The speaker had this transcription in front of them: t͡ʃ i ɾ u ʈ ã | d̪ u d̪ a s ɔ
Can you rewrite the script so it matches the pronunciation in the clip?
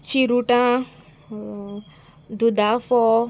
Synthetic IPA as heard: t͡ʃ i ɾ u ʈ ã | d̪ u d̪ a f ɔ